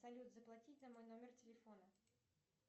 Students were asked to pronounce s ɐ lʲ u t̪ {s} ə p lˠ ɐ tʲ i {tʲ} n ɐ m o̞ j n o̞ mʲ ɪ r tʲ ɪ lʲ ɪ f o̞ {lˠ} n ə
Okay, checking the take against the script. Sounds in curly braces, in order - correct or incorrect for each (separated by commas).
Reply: incorrect, correct, incorrect